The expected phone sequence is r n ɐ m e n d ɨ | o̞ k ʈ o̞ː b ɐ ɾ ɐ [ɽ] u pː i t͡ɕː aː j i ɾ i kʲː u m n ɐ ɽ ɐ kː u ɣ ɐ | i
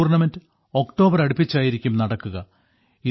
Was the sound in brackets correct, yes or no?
yes